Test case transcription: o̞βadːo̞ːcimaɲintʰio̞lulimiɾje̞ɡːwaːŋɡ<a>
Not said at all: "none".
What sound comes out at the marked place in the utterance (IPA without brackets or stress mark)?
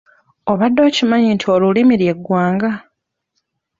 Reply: a